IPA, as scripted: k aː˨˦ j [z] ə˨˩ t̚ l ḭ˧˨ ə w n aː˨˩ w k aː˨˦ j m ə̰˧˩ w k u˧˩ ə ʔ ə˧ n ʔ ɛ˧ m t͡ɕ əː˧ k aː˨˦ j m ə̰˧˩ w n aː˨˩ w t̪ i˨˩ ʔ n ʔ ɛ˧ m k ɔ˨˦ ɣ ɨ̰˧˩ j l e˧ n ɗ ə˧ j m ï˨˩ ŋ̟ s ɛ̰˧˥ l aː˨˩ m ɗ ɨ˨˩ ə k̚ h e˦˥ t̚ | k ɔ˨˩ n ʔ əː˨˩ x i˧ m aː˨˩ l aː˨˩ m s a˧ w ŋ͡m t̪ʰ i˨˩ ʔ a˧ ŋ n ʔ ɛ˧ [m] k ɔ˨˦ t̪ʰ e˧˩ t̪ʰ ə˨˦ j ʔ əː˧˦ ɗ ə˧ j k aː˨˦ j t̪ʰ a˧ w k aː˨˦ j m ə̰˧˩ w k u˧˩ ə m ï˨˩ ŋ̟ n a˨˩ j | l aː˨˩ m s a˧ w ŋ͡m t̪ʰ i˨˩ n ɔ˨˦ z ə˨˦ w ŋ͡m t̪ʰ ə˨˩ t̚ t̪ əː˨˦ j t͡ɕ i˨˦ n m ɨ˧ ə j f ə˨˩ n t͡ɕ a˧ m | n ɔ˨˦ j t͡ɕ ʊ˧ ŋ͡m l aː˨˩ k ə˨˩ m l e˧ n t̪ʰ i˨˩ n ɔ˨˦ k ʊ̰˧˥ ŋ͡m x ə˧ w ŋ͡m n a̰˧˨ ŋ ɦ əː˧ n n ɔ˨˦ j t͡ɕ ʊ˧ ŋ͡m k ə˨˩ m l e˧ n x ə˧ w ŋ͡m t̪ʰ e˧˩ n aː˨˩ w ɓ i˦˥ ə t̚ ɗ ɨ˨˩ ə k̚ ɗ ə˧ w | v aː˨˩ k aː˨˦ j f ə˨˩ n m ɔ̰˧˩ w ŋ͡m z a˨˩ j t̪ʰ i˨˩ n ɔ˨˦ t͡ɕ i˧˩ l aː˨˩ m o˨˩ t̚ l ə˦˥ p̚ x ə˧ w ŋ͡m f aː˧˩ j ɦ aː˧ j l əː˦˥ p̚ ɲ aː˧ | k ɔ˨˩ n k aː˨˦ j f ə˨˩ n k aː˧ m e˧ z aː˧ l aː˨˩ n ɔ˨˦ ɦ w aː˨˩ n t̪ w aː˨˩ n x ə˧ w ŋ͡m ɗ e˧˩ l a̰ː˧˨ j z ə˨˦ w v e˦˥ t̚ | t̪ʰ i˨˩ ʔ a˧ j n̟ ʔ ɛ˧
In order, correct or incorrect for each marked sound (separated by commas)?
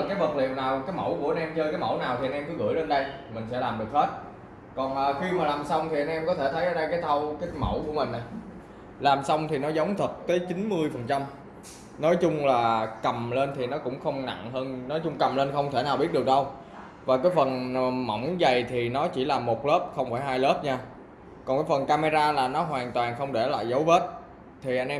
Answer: incorrect, correct